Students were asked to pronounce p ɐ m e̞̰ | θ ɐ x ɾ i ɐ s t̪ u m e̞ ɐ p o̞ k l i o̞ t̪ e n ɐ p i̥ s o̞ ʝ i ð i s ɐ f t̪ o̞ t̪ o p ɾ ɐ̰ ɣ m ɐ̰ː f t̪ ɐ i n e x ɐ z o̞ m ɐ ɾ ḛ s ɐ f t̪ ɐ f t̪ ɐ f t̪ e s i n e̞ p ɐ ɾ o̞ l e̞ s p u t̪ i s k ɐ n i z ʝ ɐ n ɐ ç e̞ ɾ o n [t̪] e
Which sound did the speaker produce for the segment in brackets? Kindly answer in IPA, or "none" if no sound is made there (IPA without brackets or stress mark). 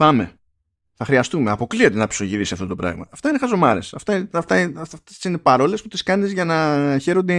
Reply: d̪